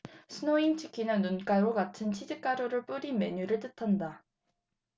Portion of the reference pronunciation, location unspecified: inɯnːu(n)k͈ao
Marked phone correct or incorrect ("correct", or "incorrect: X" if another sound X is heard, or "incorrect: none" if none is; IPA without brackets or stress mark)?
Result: correct